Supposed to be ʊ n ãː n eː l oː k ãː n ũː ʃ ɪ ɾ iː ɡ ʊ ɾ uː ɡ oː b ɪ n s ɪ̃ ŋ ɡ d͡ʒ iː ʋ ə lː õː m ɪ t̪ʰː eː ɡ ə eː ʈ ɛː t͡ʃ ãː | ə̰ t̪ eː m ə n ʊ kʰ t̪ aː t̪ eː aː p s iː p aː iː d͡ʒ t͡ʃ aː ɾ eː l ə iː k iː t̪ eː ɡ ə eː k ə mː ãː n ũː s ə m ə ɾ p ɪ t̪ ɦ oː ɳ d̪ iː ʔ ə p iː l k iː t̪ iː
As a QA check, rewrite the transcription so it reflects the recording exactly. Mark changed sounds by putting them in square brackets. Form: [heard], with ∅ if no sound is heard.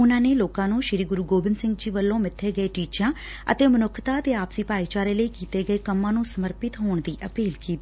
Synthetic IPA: ʊ n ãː n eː l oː k ãː n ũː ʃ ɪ ɾ iː ɡ ʊ ɾ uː ɡ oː b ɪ n s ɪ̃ ŋ ɡ d͡ʒ iː ʋ ə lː õː m ɪ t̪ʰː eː ɡ ə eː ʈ [iː] t͡ʃ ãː | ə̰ t̪ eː m ə n ʊ kʰ t̪ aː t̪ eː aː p s iː p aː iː [∅] t͡ʃ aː ɾ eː l ə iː k iː t̪ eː ɡ ə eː k ə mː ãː n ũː s ə m ə ɾ p ɪ t̪ ɦ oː ɳ d̪ iː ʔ ə p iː l k iː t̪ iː

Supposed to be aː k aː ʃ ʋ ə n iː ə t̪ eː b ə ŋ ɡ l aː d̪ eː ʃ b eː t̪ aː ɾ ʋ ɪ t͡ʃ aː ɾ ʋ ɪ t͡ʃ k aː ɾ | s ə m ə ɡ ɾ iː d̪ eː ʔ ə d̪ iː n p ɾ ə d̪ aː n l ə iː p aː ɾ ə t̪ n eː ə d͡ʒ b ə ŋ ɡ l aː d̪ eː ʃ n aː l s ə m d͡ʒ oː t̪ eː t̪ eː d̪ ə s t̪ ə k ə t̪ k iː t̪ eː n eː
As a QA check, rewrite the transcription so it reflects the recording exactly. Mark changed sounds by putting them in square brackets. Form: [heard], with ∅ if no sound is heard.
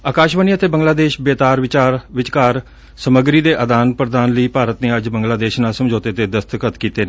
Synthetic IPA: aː k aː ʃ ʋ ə n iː ə t̪ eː b ə ŋ ɡ l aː d̪ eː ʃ b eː t̪ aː ɾ ʋ ɪ t͡ʃ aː ɾ ʋ ɪ t͡ʃ k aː ɾ | s ə m ə ɡ ɾ iː d̪ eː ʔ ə d̪ [aː] n p ɾ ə d̪ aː n l ə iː p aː ɾ ə t̪ n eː ə d͡ʒ b ə ŋ ɡ l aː d̪ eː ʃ n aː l s ə m d͡ʒ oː t̪ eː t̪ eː d̪ ə s t̪ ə k ə t̪ k iː t̪ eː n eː

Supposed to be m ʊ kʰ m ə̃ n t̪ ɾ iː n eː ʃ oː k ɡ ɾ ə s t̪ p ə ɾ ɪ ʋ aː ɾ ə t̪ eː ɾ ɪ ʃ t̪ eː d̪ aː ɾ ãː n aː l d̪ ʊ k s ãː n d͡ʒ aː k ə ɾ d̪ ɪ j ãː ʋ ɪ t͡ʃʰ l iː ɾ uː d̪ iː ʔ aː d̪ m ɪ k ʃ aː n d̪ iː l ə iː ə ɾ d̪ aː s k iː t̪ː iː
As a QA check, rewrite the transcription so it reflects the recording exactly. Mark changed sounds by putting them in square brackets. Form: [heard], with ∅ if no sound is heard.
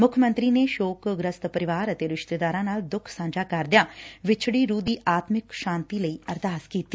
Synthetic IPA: m ʊ kʰ m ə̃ n t̪ ɾ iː n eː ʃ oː k ɡ ɾ ə s t̪ p ə ɾ ɪ ʋ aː ɾ ə t̪ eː ɾ ɪ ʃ t̪ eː d̪ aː ɾ ãː n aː l d̪ ʊ [kʰ] s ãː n d͡ʒ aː k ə ɾ d̪ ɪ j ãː ʋ ɪ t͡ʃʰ [ɽ] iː ɾ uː d̪ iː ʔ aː [t̪] m ɪ k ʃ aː n [t̪] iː l ə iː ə ɾ d̪ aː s k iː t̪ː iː

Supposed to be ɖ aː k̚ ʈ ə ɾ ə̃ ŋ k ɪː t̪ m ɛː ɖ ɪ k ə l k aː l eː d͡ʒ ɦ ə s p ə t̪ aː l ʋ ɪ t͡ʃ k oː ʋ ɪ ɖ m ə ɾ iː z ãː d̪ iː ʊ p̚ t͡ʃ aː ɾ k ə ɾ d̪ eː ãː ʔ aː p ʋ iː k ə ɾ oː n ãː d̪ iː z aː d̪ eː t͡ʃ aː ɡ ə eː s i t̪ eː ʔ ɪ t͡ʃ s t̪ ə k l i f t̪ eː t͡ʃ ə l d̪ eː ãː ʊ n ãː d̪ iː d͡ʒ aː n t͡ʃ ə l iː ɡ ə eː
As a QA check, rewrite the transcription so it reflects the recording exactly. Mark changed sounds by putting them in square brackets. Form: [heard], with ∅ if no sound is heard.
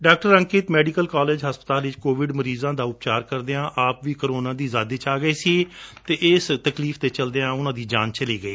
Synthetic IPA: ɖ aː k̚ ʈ ə ɾ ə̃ ŋ k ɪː t̪ m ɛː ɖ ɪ k ə l k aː l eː d͡ʒ ɦ ə s p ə t̪ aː l ʋ ɪ t͡ʃ k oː ʋ ɪ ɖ m ə ɾ iː z ãː d̪ [aː] ʊ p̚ t͡ʃ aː ɾ k ə ɾ d̪ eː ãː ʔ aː p ʋ iː k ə ɾ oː n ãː d̪ iː z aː d̪ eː t͡ʃ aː ɡ ə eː s i t̪ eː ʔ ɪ [∅] s t̪ ə k l [iː] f t̪ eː t͡ʃ ə l d̪ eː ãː ʊ n ãː d̪ iː d͡ʒ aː n t͡ʃ ə l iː ɡ ə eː

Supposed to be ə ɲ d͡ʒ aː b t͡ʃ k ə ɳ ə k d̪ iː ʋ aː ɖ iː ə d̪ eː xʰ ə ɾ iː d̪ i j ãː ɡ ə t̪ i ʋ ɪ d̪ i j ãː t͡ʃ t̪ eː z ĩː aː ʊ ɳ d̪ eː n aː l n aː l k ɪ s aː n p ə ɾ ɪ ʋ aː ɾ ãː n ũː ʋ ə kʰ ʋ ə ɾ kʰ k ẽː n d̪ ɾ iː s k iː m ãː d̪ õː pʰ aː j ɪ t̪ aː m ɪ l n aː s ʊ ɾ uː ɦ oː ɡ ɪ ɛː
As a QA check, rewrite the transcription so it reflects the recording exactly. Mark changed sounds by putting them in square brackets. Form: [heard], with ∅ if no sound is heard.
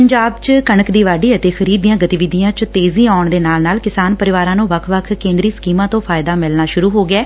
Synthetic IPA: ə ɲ d͡ʒ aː b t͡ʃ k ə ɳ ə k d̪ iː ʋ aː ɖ iː ə [t̪] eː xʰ ə ɾ iː d̪ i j ãː ɡ ə t̪ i ʋ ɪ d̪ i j ãː t͡ʃ t̪ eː z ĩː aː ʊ ɳ d̪ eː n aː l n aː l k ɪ s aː n p ə ɾ ɪ ʋ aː ɾ ãː n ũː ʋ ə kʰ ʋ ə [∅] kʰ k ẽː n d̪ ɾ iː s k iː m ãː [t̪] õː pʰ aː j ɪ [d̪] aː m ɪ l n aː [ʃ] ʊ ɾ uː ɦ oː ɡ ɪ ɛː

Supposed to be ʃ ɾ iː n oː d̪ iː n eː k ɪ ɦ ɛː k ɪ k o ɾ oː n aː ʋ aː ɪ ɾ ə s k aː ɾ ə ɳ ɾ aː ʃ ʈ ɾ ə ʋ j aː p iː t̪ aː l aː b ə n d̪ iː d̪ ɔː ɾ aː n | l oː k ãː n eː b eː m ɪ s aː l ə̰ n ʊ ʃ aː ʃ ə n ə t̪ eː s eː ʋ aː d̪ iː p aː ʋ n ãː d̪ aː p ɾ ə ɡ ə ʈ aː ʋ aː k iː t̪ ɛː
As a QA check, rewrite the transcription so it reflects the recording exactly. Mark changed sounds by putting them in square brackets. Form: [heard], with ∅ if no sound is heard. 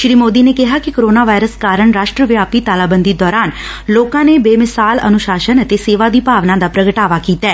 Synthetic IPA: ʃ ɾ iː [m] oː d̪ iː n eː k ɪ ɦ [aː] k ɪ k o ɾ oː n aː ʋ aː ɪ ɾ ə s k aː ɾ ə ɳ ɾ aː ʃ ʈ ɾ ə ʋ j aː p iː t̪ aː l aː b ə n d̪ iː d̪ ɔː ɾ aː n | l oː k ãː n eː b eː m ɪ s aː l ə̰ n ʊ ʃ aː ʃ ə n ə t̪ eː s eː ʋ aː d̪ iː p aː ʋ n ãː d̪ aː p ɾ ə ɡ ə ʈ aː ʋ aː k iː t̪ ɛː

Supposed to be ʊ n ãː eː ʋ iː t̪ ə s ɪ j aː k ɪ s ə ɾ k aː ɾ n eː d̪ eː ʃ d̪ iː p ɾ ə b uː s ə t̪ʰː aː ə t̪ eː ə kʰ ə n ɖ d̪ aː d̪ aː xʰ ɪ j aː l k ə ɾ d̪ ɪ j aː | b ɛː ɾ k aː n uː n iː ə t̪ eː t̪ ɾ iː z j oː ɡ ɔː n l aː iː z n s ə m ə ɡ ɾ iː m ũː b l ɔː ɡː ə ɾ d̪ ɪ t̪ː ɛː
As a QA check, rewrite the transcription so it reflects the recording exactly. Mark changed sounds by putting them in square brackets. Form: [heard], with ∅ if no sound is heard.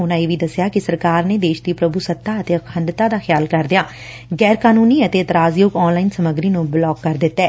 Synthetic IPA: ʊ n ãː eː ʋ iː [d̪] ə s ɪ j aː k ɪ s ə ɾ k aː ɾ n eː d̪ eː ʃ d̪ iː p ɾ ə b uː s ə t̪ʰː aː ə t̪ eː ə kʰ ə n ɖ [t̪] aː d̪ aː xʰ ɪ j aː l k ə ɾ d̪ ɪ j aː | [ɡ] ɛː ɾ k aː n uː n iː ə t̪ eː t̪ ɾ [aː] z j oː ɡ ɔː n l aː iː [∅] n s ə m ə ɡ ɾ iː [n] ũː b l ɔː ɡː ə ɾ d̪ ɪ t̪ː ɛː

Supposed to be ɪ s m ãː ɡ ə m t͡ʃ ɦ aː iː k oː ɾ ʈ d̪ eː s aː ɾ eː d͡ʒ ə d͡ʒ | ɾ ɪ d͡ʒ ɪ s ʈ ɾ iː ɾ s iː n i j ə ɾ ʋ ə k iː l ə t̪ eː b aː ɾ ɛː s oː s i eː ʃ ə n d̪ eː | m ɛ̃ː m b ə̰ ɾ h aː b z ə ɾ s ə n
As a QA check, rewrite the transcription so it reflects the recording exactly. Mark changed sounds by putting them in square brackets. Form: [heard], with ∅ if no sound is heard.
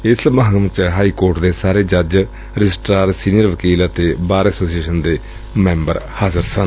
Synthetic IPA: ɪ s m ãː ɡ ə m t͡ʃ ɦ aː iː k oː ɾ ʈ d̪ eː s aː ɾ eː d͡ʒ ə d͡ʒ | ɾ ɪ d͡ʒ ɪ s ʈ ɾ [aː] ɾ s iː n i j ə ɾ ʋ ə k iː l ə t̪ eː b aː ɾ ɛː s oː s i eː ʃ ə n d̪ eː | m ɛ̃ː m b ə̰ ɾ h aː [∅] z ə ɾ s ə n

